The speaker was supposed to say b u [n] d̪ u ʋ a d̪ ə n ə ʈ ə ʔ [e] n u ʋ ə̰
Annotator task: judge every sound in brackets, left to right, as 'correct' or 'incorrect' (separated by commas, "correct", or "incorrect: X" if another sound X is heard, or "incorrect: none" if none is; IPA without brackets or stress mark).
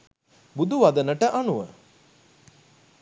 incorrect: none, incorrect: a